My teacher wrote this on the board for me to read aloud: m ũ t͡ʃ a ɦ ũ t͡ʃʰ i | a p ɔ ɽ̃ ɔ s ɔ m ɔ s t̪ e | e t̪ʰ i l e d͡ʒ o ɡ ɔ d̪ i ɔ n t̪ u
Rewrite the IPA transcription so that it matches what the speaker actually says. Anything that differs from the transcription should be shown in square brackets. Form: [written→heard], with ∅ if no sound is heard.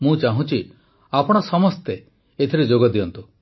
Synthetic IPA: m ũ t͡ʃ a ɦ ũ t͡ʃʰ i | a p ɔ ɽ̃ ɔ s ɔ m ɔ s t̪ e | e t̪ʰ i [l→ɾ] e d͡ʒ o ɡ ɔ d̪ i ɔ n t̪ u